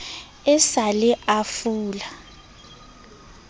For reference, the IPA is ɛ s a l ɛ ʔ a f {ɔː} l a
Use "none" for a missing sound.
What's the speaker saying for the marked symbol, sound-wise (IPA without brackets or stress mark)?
uː